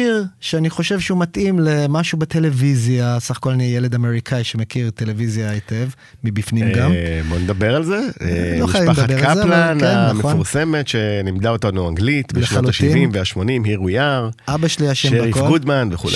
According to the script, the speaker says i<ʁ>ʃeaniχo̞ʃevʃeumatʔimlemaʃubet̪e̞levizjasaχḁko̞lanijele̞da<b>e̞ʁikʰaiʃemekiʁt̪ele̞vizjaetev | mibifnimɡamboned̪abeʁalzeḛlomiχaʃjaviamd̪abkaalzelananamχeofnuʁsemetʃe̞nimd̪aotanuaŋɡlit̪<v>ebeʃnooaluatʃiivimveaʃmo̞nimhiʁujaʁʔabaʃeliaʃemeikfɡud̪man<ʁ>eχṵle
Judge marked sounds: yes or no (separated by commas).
yes, no, no, no